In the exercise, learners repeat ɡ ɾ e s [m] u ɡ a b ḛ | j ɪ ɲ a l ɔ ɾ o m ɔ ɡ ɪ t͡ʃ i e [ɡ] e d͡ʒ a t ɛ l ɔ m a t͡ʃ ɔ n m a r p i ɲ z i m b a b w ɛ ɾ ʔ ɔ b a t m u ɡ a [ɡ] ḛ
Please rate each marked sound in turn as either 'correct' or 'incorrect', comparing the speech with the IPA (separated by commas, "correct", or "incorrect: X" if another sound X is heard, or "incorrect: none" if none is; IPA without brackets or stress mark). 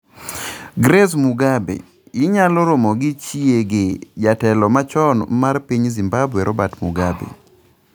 correct, correct, incorrect: b